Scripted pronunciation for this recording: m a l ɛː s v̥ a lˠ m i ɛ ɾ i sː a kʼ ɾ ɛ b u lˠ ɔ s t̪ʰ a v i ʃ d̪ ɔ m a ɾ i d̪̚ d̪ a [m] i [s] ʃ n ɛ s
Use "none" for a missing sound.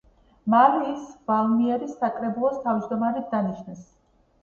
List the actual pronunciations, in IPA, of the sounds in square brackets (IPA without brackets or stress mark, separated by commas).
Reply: n, none